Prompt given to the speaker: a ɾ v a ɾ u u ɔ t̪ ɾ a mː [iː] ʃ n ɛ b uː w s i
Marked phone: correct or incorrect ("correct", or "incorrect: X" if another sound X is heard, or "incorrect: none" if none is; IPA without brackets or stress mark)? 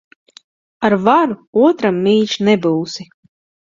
correct